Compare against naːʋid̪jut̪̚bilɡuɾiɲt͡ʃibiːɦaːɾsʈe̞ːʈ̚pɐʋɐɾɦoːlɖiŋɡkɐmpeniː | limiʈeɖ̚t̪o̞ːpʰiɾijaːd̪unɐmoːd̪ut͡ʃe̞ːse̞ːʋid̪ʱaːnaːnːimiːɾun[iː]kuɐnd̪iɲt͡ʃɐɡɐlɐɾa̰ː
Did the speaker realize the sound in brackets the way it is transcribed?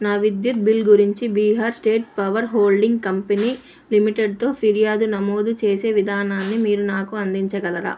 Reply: no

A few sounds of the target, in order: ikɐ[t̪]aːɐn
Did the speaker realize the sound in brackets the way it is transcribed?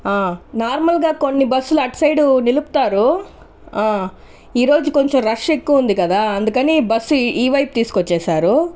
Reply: no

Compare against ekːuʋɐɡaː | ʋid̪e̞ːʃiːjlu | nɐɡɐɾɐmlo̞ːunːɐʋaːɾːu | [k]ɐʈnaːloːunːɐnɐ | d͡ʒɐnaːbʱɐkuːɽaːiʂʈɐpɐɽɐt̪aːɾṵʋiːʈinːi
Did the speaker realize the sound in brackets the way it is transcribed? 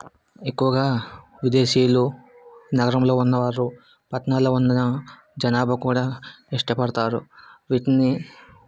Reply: no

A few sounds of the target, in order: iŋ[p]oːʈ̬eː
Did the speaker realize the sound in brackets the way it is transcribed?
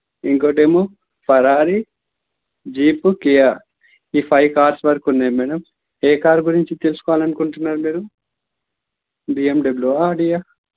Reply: no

